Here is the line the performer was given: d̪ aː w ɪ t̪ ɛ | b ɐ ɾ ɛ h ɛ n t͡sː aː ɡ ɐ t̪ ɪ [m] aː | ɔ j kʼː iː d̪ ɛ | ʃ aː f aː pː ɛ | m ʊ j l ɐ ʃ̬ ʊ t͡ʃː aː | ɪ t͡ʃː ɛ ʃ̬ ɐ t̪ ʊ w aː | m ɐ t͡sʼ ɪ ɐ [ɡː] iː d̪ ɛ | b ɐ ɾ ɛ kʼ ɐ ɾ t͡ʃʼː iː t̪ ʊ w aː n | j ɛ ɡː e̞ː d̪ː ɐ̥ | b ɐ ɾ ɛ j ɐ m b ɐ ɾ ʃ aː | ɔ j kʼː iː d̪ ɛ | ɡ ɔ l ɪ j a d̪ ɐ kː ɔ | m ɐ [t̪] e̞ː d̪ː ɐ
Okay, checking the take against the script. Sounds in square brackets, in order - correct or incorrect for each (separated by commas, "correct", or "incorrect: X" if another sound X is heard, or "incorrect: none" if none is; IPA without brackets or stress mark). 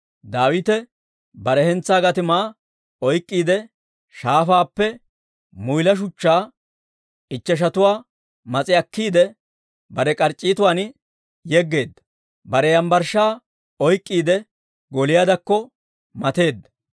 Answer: correct, incorrect: kː, correct